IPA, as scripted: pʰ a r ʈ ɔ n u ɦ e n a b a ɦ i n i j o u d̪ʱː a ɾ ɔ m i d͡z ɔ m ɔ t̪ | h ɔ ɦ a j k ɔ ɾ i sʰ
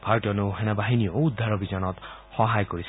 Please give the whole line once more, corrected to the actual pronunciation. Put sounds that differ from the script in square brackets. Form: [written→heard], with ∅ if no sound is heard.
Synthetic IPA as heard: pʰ a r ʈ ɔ n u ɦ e n a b a ɦ i n i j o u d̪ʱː a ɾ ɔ [m→b] i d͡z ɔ [m→n] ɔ t̪ | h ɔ ɦ a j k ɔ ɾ i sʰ